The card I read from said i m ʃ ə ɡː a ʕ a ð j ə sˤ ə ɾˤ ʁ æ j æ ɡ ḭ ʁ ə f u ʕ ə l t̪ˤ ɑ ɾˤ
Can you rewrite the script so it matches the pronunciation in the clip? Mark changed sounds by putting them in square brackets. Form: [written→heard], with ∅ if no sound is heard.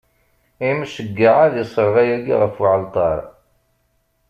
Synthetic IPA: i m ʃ ə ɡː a ʕ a ð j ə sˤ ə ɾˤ ʁ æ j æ ɡ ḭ ʁ ə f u ʕ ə l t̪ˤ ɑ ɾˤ